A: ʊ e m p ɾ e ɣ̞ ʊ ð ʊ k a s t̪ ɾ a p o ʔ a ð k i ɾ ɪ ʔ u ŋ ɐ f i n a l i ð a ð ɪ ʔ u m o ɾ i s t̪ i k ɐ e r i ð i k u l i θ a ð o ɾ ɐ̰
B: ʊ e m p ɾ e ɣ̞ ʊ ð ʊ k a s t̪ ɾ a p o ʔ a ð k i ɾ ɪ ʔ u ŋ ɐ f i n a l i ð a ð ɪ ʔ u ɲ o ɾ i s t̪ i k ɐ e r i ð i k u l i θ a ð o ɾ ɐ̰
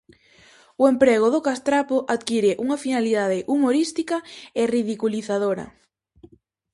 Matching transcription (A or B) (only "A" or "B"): A